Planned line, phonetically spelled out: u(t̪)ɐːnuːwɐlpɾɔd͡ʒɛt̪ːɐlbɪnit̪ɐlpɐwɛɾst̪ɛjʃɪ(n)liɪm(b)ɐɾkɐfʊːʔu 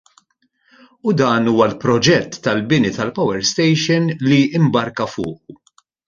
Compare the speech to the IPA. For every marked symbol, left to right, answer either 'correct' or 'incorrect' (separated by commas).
incorrect, correct, correct